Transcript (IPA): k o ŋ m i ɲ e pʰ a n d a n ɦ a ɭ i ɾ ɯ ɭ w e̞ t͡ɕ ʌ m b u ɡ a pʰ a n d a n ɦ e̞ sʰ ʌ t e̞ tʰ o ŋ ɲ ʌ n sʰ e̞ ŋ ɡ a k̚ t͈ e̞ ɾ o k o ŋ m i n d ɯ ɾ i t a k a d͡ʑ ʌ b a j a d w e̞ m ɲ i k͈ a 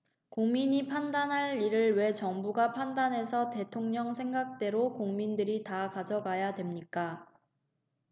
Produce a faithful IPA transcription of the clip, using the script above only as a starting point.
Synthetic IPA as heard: k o ŋ m i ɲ i pʰ a n d a n ɦ a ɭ i ɾ ɯ ɭ w e̞ t͡ɕ ʌ ŋ b u ɡ a pʰ a n d a n ɦ e̞ sʰ ʌ t e̞ tʰ o ŋ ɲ ʌ ŋ sʰ e̞ ŋ ɡ a k̚ t͈ e̞ ɾ o k o ŋ m i n d ɯ ɾ i t a k a d͡ʑ ʌ ɡ a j a d w e̞ m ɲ i k͈ a